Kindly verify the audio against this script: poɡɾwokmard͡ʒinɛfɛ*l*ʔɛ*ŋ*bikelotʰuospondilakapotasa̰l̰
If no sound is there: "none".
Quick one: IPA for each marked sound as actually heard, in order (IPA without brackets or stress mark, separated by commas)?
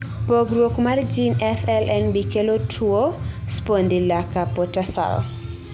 l, n